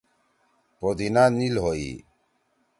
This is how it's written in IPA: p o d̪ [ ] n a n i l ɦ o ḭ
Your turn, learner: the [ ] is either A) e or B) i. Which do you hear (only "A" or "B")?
B